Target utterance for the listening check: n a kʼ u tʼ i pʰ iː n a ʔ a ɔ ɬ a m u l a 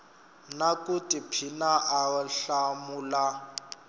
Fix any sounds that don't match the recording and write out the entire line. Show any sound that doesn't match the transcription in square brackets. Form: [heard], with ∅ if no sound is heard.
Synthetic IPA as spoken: n a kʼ u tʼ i pʰ [i] n a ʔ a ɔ ɬ a m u l a